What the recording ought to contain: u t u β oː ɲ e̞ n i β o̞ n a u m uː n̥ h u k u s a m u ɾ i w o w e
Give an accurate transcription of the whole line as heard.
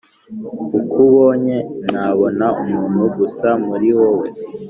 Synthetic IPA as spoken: u k u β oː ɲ e̞ n a β o̞ n a u m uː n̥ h u ɡ u s a m u ɾ i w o w e